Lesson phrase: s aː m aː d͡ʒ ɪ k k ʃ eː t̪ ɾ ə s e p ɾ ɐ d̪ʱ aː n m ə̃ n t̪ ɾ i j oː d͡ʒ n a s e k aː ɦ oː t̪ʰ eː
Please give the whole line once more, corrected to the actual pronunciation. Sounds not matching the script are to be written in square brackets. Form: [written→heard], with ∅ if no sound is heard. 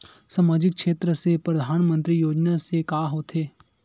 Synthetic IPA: s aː m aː d͡ʒ ɪ k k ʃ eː t̪ ɾ ə s e p ɾ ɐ d̪ʱ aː n m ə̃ n t̪ ɾ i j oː d͡ʒ n a s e k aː ɦ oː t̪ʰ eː